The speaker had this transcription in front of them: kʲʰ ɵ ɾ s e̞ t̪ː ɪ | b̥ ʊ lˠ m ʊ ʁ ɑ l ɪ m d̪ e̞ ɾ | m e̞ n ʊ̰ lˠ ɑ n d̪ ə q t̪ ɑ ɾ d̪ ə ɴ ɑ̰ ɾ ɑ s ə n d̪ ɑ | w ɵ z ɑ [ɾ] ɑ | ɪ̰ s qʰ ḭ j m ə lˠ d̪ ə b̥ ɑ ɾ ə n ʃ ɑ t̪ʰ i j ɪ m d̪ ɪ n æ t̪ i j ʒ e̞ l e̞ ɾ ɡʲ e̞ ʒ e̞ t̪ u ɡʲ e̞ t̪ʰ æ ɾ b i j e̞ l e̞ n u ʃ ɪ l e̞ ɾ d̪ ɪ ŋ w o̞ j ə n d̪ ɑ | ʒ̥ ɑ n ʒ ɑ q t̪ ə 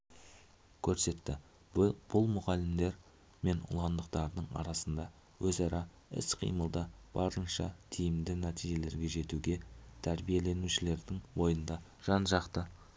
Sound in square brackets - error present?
no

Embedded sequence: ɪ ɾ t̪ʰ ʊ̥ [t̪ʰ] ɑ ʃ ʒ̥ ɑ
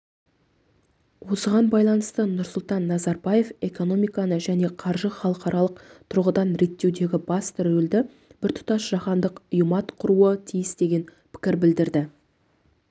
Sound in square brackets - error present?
yes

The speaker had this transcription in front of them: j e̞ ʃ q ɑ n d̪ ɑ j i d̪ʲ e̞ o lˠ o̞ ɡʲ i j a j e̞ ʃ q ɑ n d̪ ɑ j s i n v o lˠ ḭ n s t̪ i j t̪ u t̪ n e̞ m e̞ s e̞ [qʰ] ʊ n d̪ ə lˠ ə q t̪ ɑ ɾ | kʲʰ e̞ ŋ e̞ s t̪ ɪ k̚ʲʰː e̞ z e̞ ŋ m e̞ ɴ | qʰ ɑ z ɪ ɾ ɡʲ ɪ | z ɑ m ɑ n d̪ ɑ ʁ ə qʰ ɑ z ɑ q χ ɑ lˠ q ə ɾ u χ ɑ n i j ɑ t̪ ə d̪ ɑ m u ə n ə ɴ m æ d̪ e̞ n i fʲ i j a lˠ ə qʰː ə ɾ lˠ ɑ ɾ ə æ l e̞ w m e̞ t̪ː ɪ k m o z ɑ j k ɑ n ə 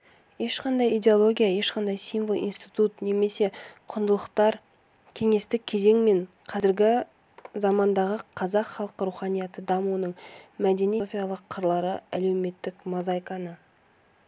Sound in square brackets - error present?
no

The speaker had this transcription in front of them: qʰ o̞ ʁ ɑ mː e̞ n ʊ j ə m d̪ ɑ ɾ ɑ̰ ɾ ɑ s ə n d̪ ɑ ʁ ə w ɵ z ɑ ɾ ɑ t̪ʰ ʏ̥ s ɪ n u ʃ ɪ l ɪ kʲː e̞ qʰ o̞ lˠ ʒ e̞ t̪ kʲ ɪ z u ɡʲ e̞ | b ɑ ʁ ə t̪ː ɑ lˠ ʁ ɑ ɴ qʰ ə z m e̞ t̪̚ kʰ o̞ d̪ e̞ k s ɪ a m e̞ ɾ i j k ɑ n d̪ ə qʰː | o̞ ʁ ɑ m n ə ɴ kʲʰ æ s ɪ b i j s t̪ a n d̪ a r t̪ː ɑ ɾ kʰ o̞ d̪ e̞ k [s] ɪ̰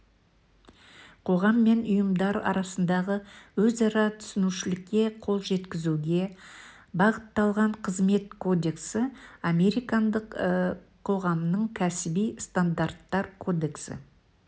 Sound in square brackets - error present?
no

